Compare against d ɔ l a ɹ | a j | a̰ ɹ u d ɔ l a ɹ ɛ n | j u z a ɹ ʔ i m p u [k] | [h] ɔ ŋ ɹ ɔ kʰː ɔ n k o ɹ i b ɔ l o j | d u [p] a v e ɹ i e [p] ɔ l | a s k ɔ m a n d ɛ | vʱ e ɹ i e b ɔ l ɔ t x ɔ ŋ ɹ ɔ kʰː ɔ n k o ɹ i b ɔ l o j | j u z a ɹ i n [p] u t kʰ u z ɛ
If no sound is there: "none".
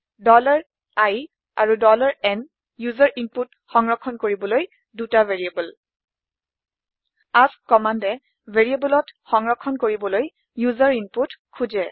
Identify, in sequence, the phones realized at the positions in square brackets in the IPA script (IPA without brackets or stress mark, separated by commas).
t, x, t, b, p